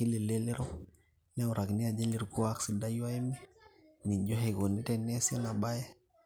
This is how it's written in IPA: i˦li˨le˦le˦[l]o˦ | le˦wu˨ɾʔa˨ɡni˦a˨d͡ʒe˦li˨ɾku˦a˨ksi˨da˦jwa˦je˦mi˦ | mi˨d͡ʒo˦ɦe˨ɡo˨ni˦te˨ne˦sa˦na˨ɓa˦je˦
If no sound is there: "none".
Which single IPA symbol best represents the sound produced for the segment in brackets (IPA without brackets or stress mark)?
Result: ɾ